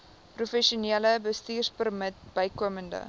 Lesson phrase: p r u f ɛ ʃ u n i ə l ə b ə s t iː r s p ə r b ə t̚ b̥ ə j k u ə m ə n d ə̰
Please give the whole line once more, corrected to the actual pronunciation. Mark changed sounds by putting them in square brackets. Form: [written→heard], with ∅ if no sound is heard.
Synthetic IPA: p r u f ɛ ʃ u n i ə l ə b ə s t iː r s p ə r [b→m] ə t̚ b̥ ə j k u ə m ə n d ə̰